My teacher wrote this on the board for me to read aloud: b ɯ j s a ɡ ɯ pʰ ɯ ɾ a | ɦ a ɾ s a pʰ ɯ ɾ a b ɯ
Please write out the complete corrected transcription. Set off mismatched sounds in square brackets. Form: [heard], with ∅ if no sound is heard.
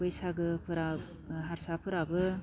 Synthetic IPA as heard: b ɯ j s a ɡ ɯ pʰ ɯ ɾ a | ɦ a ɾ s a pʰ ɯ ɾ a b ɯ